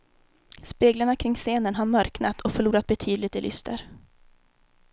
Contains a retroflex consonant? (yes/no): yes